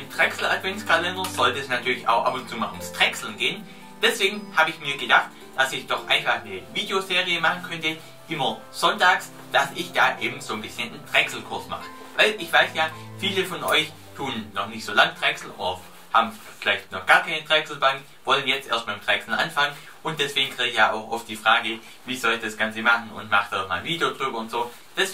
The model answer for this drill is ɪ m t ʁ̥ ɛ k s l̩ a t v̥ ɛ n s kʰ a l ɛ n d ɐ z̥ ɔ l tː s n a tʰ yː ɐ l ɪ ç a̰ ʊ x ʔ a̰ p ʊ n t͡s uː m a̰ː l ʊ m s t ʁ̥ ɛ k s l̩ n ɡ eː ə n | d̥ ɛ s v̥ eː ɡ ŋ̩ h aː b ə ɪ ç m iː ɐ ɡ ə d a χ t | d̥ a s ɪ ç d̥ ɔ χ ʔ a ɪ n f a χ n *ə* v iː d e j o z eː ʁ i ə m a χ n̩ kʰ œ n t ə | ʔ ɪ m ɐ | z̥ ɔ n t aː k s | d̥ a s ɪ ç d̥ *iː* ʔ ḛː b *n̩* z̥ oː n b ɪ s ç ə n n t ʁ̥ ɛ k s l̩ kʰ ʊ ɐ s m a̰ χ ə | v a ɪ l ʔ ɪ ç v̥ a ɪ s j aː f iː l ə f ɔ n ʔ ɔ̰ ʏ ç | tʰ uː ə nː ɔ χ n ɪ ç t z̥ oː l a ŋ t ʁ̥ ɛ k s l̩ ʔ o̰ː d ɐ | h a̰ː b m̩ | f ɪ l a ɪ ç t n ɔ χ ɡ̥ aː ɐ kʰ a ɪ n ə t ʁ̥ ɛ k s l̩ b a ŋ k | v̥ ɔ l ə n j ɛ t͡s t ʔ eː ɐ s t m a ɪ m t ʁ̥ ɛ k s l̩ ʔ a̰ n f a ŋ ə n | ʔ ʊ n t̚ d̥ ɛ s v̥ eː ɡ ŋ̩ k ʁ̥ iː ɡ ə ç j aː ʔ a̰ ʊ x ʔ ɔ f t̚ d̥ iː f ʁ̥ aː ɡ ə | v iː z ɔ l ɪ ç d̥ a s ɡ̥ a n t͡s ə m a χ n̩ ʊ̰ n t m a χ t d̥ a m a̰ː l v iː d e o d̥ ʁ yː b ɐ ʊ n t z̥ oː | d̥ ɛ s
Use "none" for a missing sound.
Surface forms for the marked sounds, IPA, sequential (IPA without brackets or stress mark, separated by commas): ə, aː, m̩